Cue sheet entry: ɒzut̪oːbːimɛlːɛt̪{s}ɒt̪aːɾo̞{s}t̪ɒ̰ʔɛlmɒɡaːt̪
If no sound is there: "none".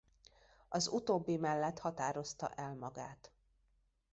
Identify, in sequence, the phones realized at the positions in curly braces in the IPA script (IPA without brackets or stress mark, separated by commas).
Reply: h, s